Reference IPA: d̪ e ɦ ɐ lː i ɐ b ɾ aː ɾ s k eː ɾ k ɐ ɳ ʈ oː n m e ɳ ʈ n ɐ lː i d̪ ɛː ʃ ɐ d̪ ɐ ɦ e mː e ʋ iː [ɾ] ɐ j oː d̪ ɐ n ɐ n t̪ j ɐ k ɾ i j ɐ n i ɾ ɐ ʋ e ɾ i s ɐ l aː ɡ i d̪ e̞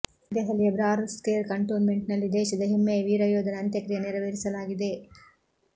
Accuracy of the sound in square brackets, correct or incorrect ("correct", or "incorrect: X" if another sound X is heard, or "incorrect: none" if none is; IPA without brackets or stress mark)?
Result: correct